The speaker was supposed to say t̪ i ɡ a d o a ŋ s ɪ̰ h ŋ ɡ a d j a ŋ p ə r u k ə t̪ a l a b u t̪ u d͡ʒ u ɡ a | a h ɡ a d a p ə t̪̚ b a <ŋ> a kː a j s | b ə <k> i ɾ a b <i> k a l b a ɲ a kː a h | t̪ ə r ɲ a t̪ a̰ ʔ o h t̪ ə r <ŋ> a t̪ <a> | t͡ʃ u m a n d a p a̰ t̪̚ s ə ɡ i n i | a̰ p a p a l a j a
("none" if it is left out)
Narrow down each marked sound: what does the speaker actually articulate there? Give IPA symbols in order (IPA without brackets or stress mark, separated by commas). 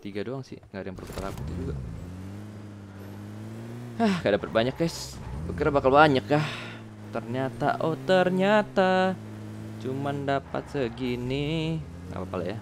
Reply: ɲ, k, a, ɲ, a